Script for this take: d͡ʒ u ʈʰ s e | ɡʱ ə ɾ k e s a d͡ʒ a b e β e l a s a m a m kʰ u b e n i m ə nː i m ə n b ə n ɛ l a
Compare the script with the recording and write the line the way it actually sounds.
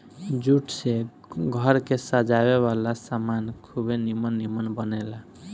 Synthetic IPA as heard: d͡ʒ u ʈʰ s e | ɡʱ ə ɾ k e s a d͡ʒ a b e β a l a s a m a n kʰ u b e n i m ə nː i m ə n b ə n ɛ l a